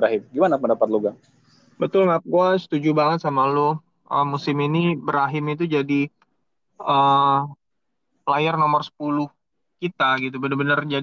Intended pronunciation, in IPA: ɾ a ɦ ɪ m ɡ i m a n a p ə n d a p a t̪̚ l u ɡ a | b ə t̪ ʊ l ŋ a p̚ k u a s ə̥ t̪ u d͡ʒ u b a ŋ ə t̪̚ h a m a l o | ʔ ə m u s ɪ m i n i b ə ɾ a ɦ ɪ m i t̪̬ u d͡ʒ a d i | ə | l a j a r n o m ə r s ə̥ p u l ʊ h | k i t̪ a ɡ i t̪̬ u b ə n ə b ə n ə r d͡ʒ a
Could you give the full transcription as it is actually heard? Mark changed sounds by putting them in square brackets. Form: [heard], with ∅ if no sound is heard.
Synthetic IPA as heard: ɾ a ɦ ɪ m ɡ i m a n a p ə n d a p a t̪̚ l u ɡ a | b ə t̪ ʊ l ŋ a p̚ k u a s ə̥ t̪ u d͡ʒ u b a ŋ ə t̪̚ [s] a m a l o | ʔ ə m u s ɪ m i n i b ə ɾ a ɦ ɪ m i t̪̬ u d͡ʒ a d i | ə | l a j a r n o m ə r s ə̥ p u l ʊ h | k i t̪ a ɡ i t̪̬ u b ə n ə b ə n ə r d͡ʒ a